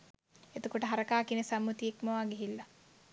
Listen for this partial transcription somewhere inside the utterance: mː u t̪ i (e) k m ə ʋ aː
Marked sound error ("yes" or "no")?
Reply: no